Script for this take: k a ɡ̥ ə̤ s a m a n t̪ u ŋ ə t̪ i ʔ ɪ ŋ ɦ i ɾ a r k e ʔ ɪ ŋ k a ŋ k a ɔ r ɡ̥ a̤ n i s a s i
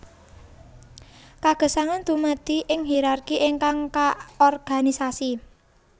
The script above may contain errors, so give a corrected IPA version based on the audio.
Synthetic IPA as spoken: k a ɡ̥ ə̤ s a ŋ a n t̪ u m ə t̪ i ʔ ɪ ŋ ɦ i ɾ a r k i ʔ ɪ ŋ k a ŋ k a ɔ r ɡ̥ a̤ n i s a s i